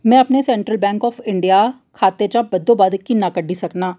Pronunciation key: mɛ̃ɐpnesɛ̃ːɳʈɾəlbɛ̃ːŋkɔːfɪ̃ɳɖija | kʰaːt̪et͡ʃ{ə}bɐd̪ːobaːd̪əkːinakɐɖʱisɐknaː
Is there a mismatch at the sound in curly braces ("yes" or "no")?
yes